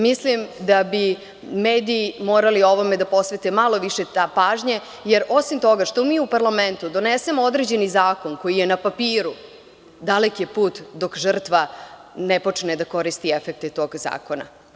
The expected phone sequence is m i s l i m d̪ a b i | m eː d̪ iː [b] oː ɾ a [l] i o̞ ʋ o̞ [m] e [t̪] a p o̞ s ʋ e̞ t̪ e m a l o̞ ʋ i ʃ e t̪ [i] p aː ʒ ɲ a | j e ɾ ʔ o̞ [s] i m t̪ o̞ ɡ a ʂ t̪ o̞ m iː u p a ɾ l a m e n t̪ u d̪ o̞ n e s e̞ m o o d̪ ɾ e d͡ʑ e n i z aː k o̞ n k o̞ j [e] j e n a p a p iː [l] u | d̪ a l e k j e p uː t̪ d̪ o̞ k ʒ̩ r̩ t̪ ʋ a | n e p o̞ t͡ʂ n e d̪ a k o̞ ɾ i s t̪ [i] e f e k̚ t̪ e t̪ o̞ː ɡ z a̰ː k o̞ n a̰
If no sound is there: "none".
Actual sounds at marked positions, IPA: m, l, m, d̪, a, s, i, ɾ, i

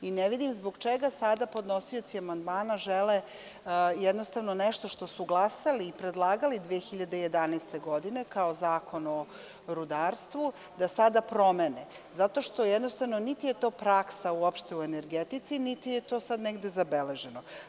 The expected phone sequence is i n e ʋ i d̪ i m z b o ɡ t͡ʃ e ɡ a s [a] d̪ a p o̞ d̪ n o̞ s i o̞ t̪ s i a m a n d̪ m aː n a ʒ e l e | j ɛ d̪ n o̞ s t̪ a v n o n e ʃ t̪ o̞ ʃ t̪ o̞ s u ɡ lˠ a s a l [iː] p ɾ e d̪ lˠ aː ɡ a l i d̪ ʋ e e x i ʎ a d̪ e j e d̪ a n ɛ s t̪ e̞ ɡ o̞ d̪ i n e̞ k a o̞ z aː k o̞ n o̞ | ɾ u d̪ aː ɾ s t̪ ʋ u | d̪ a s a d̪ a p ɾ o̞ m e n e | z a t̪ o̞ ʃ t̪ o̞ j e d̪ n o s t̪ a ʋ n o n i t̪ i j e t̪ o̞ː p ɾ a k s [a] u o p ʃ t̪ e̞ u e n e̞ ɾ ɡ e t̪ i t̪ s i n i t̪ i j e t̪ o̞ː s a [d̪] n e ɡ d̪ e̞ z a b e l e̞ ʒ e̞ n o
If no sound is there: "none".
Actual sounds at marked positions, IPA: a, iː, a, d̪

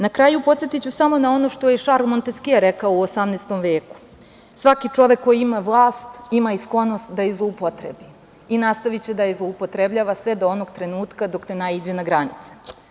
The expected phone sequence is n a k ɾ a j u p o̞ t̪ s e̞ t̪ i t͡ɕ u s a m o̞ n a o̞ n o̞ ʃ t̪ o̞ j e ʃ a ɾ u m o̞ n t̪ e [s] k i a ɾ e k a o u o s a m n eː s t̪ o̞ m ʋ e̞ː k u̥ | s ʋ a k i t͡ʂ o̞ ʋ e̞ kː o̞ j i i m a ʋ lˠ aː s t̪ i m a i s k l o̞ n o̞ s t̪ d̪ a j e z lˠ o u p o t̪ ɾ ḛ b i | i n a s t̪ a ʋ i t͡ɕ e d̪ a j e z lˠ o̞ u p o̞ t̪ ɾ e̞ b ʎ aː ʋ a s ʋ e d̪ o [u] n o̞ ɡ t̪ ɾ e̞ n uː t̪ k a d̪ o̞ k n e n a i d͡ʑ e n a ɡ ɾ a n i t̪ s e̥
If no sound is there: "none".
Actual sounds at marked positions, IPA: s, o

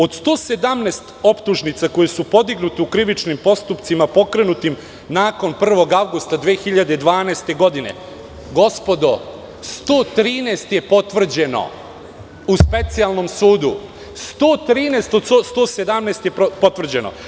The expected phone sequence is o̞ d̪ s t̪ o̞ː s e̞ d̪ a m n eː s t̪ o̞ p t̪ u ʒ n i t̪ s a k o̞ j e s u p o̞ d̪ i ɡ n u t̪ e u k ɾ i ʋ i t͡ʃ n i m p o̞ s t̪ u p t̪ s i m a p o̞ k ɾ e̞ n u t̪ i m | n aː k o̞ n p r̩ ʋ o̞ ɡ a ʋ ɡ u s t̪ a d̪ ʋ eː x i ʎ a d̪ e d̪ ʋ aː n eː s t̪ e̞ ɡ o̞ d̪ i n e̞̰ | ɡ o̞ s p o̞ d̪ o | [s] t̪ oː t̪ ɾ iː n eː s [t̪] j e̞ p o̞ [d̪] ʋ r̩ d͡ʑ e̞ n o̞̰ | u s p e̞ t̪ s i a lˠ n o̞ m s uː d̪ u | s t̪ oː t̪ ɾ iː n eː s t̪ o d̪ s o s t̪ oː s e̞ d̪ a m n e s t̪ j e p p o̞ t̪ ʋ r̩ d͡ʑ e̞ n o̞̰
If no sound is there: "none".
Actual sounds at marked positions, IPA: s, t̪, t̪

